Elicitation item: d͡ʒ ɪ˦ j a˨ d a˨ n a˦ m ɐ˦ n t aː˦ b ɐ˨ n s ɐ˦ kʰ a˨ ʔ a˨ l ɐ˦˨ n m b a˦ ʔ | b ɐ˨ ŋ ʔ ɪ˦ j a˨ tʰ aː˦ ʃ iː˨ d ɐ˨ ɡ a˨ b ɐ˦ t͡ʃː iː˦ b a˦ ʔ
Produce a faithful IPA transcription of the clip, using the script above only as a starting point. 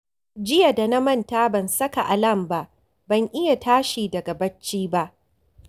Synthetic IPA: d͡ʒ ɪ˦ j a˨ d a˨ n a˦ m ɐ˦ n t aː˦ b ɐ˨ n s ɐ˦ k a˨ ʔ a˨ l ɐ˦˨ m b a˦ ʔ | b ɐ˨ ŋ ʔ ɪ˦ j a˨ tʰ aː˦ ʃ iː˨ d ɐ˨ ɡ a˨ b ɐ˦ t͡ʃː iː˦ b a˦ ʔ